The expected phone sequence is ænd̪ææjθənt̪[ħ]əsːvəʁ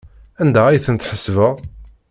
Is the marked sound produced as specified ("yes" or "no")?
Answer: yes